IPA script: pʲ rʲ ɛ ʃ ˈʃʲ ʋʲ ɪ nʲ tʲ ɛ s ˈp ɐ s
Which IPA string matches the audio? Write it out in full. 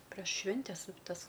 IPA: pʲ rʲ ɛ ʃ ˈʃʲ ʋʲ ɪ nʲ tʲ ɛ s ˈt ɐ s